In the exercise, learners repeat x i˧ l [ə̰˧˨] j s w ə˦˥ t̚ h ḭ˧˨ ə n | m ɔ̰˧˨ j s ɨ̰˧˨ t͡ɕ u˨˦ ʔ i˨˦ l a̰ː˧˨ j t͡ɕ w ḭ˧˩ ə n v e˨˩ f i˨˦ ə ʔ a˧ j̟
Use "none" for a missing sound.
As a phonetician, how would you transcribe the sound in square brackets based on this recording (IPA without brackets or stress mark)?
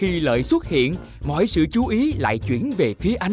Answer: ə̰ː˧˨